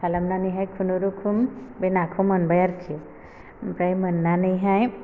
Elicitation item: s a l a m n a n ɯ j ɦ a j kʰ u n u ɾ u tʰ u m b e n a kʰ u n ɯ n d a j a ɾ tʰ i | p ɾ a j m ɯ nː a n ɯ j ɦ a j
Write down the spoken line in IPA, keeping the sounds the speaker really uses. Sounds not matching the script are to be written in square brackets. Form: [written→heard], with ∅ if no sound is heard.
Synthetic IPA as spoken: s a l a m n a n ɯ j ɦ a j kʰ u n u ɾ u [tʰ→kʰ] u m b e n a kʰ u [n→m] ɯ n [d→b] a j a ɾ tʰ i | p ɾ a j m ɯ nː a n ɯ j ɦ a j